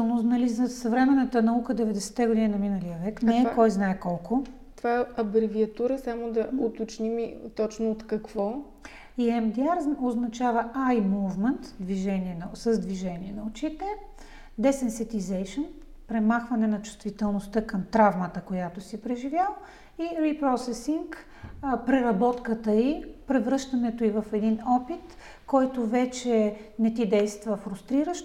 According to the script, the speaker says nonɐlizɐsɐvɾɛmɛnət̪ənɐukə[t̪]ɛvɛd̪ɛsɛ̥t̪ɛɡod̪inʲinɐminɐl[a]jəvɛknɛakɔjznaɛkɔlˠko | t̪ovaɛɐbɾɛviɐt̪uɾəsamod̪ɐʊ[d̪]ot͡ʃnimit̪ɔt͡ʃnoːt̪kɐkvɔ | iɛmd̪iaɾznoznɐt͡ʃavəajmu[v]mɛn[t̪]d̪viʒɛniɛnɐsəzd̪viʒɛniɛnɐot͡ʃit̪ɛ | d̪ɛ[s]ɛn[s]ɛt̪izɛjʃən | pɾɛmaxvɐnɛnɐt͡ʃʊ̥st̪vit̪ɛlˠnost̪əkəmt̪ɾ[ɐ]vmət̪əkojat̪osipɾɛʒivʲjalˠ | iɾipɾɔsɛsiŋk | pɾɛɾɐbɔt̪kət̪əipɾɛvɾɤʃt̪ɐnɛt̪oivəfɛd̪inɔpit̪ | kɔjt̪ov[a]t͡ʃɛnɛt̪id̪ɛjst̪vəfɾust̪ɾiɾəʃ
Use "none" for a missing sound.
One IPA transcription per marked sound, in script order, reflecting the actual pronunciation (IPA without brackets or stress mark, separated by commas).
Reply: d̪, i, t̪, v, t̪, s, s, a, ɛ